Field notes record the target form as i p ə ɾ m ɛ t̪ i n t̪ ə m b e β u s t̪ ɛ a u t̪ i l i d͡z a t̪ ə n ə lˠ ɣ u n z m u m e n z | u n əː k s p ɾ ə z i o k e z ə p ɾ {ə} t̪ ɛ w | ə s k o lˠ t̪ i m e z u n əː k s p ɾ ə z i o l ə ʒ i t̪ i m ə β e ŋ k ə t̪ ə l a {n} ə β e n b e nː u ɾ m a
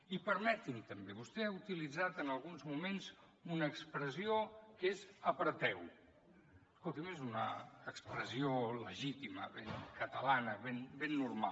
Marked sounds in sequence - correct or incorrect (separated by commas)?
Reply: correct, correct